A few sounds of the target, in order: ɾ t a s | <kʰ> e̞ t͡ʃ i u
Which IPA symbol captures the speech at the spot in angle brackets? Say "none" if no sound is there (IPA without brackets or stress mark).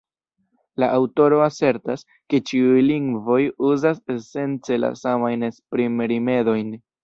k